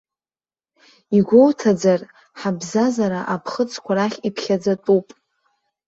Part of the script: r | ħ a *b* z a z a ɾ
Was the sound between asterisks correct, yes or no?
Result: yes